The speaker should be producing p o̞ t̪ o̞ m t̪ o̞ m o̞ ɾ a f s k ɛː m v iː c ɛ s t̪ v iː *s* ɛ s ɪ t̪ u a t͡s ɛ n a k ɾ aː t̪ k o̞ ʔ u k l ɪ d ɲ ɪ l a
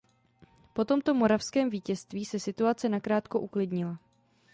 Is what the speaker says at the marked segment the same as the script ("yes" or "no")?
yes